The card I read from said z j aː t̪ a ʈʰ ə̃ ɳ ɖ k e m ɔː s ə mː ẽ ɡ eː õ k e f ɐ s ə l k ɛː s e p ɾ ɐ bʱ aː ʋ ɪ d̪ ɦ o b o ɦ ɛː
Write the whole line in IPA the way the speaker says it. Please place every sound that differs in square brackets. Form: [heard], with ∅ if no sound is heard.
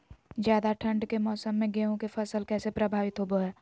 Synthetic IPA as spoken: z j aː [d̪] a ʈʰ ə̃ ɳ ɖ k e m ɔː s ə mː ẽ ɡ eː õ k e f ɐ s ə l k ɛː s e p ɾ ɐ bʱ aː ʋ ɪ [t̪] ɦ o b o ɦ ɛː